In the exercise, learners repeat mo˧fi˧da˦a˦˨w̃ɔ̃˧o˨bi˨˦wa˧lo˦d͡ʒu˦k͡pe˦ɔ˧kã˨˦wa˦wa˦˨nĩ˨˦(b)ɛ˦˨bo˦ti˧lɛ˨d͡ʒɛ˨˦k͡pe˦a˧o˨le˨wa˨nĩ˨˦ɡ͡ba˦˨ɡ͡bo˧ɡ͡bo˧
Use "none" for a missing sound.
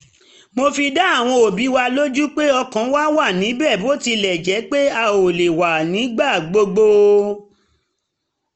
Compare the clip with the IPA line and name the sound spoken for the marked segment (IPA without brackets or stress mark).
b